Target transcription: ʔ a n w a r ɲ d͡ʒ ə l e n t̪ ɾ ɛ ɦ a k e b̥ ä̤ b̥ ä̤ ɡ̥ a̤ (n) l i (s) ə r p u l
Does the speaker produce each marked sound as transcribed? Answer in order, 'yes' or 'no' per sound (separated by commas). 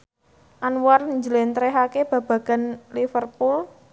yes, no